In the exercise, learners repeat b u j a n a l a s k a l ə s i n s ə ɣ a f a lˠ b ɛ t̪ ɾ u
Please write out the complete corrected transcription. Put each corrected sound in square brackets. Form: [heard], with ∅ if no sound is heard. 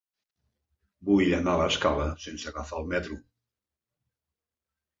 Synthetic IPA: b u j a n a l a s k a l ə s [e] n s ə ɣ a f a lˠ [m] ɛ t̪ ɾ u

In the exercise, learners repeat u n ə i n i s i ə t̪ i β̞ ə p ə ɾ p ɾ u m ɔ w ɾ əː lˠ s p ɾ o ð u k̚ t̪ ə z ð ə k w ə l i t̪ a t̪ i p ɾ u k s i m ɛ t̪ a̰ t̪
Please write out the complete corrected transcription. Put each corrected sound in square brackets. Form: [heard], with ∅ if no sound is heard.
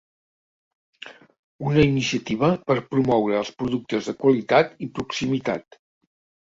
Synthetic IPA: u n ə i n i s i ə t̪ i β̞ ə p ə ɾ p ɾ u m ɔ w ɾ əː lˠ s p ɾ [u] ð u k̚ t̪ ə z ð ə k w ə l i t̪ a t̪ i p ɾ u k s i m [i] t̪ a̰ t̪

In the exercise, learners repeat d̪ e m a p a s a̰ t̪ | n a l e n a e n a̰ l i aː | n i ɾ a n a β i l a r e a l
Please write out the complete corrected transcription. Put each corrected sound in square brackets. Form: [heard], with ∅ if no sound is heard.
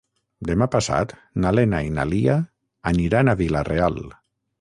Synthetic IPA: d̪ e m a p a s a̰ t̪ | n a l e n a [i] n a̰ l i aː | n i ɾ a n a β i l a r e a l

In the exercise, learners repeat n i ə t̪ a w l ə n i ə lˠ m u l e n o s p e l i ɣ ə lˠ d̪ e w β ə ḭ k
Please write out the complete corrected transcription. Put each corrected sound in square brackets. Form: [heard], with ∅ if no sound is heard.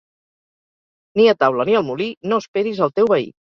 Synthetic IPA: n i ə t̪ a w l ə n i ə lˠ m u l [i] n o s p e [ɾ] i [z] ə lˠ [t̪] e w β ə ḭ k

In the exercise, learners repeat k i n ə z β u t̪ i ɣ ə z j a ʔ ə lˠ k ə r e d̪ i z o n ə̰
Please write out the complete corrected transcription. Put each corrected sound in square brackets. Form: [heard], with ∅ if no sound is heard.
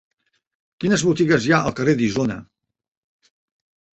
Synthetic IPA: k i n ə z β u t̪ i ɣ ə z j a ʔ ə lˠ k ə r e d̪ i z o n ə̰

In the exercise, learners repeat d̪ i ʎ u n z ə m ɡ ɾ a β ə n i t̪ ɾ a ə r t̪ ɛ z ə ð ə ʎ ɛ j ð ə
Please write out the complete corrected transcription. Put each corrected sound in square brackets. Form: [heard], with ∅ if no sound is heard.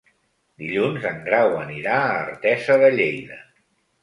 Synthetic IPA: d̪ i ʎ u n z ə [ŋ] ɡ ɾ a [w] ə n i [∅] ɾ a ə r t̪ ɛ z ə ð ə ʎ [e] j ð ə

